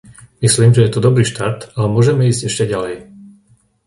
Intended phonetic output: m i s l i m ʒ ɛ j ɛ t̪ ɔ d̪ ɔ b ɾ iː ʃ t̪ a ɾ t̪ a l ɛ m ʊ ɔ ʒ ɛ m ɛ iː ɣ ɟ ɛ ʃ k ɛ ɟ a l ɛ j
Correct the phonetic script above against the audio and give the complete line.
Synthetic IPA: m i s l iː m ʒ ɛ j ɛ t̪ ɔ d̪ ɔ b ɾ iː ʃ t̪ a ɾ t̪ a l ɛ m ʊ ɔ ʒ ɛ m ɛ iː z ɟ ɛ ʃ c ɛ ɟ a l ɛ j